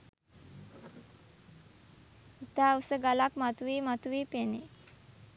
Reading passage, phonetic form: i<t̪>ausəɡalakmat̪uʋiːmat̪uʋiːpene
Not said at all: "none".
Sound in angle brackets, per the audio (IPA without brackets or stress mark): t̪